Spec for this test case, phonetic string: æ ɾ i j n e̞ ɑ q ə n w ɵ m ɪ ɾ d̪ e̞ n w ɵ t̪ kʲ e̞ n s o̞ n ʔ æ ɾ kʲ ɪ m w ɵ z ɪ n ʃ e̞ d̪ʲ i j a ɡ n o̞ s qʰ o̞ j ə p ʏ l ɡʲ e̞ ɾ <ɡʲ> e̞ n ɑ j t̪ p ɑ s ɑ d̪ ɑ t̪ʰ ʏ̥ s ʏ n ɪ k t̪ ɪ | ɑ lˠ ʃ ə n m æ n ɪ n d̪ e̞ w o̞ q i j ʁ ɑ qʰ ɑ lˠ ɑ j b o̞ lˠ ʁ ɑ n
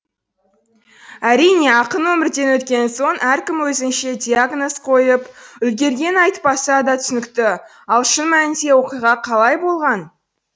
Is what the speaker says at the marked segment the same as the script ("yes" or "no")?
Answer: yes